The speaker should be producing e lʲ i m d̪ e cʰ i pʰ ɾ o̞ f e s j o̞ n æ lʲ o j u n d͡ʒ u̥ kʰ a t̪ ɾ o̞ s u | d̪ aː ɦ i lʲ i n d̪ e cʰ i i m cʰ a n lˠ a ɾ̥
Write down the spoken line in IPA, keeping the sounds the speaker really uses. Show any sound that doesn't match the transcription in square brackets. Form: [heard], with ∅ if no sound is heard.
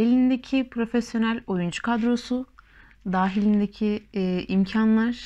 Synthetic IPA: e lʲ i [n] d̪ e cʰ i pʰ ɾ o̞ f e s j o̞ n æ lʲ o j u n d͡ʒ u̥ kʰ a [d̪] ɾ o̞ s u | d̪ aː ɦ i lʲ i n d̪ e cʰ i i m cʰ a n lˠ a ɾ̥